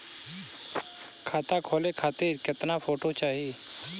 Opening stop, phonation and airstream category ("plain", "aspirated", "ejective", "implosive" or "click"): aspirated